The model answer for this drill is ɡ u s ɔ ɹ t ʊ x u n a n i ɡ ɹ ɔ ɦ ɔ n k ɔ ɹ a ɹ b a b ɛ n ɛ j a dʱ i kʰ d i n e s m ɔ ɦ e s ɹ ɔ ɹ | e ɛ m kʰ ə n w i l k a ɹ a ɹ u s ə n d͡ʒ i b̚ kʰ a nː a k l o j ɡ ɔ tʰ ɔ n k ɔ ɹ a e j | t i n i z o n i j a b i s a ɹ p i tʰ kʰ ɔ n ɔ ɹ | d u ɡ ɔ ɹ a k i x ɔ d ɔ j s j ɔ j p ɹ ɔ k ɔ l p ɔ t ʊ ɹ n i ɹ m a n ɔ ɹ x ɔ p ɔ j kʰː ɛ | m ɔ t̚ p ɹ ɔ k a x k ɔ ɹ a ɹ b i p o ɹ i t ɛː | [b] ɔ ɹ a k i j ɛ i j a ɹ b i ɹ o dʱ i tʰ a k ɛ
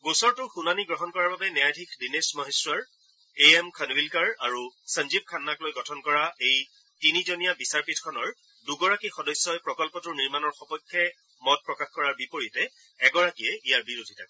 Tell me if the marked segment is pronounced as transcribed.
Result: no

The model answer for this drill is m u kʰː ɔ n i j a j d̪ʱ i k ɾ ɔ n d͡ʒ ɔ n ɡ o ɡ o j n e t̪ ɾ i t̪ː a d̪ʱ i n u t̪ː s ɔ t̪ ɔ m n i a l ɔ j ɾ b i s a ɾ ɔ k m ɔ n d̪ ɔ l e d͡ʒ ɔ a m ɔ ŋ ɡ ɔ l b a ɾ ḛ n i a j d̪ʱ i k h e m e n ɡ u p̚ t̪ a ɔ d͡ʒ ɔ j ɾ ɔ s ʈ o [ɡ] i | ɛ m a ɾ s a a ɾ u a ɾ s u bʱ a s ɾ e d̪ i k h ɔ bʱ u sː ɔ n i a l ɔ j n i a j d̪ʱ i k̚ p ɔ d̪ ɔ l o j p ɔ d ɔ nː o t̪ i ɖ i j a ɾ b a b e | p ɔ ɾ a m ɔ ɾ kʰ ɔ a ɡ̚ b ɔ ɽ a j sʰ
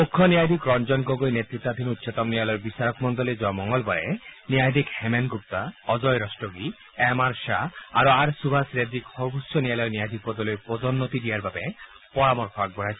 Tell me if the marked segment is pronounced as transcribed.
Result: yes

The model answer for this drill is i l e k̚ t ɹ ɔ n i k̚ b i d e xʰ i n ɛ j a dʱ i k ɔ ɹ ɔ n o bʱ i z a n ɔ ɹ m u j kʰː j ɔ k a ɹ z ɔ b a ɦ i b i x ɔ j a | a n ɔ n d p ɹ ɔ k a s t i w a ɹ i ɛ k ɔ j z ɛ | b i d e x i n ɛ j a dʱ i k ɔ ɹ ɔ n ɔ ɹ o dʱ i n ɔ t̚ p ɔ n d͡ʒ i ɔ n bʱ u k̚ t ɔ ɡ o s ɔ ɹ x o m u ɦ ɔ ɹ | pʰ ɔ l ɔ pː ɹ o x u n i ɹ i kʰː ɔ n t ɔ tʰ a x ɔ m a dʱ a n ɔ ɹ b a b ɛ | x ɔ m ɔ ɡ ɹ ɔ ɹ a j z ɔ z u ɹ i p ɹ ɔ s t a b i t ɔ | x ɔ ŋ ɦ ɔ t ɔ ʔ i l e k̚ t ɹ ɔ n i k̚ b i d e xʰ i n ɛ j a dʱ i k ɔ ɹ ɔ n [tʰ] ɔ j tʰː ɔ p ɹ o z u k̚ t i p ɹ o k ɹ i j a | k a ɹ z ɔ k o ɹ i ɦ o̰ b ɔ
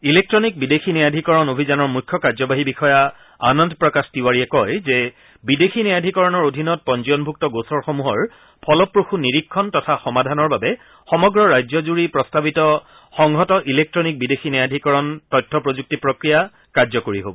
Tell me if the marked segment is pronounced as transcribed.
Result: no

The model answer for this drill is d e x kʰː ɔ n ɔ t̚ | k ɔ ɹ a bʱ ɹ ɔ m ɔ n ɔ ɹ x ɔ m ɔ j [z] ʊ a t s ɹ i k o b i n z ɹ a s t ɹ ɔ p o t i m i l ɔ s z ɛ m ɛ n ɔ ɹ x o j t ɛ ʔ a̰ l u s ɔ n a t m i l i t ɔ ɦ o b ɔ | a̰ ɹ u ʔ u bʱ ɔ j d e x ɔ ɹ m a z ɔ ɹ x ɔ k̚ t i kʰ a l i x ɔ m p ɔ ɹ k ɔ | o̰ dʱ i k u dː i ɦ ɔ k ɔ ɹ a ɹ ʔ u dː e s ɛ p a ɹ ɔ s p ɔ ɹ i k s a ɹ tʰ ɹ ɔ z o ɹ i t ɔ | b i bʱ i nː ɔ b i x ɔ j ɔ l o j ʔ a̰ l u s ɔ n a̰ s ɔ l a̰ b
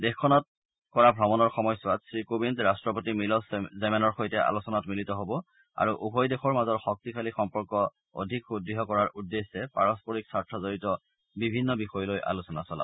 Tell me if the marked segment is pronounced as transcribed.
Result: no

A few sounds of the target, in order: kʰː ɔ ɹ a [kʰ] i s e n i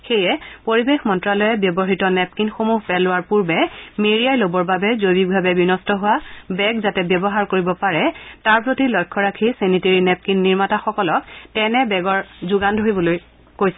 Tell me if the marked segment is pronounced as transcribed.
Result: yes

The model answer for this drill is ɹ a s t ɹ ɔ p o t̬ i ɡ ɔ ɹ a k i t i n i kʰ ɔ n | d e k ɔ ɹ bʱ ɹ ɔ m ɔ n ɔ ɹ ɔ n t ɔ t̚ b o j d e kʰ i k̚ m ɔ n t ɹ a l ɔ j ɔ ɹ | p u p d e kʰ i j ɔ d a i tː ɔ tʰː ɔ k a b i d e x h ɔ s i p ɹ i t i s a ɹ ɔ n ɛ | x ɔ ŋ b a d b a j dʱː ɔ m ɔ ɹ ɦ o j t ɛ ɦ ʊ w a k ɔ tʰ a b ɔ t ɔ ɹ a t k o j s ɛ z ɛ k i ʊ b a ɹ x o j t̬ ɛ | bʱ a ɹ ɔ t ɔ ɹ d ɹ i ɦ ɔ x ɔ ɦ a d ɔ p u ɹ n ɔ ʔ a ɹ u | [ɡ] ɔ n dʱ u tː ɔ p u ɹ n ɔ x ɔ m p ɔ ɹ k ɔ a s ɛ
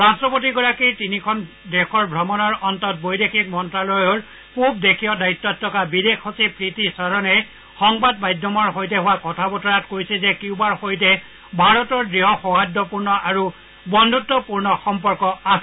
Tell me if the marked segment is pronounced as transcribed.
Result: no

